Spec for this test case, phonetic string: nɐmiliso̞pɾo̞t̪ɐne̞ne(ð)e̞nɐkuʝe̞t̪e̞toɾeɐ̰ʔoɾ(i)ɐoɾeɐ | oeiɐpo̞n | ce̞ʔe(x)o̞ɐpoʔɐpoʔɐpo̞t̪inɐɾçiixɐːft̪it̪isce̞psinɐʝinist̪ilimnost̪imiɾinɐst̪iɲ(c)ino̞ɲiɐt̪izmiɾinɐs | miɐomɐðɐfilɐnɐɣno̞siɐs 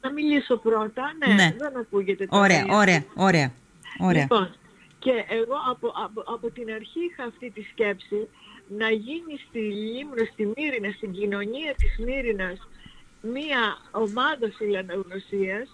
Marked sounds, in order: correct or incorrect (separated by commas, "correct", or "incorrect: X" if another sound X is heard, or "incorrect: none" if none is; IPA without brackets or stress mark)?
correct, incorrect: e, incorrect: ɣ, incorrect: ɟ